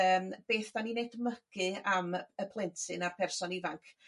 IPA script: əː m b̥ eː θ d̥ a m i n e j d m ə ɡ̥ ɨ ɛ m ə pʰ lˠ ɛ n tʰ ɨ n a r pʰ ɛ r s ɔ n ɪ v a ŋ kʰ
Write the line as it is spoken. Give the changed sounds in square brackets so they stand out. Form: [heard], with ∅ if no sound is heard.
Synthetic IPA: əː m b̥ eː θ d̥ a [n] i n e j d m ə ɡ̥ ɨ [a] m ə pʰ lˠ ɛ n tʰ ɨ n a r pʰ ɛ r s ɔ n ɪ v a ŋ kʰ